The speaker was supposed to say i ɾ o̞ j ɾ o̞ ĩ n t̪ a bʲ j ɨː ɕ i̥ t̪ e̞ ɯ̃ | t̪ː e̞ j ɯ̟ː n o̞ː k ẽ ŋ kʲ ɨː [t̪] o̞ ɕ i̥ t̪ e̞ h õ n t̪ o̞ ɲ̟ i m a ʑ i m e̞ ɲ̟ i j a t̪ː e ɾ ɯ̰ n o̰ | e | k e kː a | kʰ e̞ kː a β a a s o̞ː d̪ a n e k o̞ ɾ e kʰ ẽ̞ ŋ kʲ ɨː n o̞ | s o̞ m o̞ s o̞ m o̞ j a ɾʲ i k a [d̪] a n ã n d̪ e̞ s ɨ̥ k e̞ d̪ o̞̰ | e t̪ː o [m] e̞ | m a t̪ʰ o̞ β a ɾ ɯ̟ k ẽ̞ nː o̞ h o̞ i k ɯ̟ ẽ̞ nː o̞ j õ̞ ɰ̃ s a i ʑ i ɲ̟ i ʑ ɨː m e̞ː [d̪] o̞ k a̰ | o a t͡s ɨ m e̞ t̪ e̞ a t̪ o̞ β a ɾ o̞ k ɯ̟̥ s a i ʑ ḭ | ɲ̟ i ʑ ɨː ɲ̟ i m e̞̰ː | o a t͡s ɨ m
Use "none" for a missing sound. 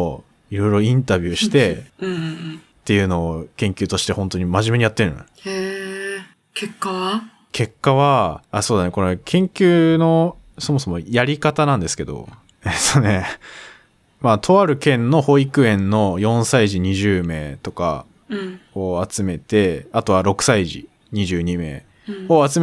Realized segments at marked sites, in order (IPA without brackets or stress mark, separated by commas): t̪, t̪, n, t̪